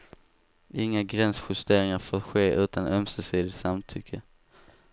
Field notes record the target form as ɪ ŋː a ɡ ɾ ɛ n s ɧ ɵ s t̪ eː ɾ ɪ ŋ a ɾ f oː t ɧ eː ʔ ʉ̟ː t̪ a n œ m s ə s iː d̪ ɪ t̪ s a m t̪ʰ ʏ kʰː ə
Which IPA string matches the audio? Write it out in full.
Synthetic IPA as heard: ɪ ŋː a ɡ ɾ ɛ n s ɧ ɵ s t̪ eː ɾ ɪ ŋ a ɾ f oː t ɧ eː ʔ ʉ̟ː t̪ a n œ m s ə s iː d̪ ɪ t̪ s a m t̪ʰ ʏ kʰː ə